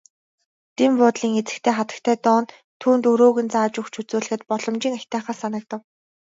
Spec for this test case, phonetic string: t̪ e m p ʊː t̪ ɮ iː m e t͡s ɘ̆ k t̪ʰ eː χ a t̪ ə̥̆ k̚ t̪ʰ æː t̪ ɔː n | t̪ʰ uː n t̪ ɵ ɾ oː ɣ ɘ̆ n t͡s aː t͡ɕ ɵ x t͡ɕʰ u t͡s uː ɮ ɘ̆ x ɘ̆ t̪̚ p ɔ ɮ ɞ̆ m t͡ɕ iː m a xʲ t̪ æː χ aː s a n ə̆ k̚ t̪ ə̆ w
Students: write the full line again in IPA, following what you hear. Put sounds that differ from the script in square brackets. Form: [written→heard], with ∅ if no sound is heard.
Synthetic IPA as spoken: t̪ e m p ʊː t̪ ɮ iː [m→ŋ] e t͡s ɘ̆ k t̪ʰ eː χ a t̪ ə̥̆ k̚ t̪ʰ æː t̪ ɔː n | t̪ʰ uː n t̪ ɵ ɾ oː ɣ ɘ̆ n t͡s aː t͡ɕ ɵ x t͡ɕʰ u t͡s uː ɮ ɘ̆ x ɘ̆ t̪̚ p ɔ ɮ ɞ̆ m t͡ɕ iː [m→ŋ] a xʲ t̪ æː χ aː s a n ə̆ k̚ t̪ ə̆ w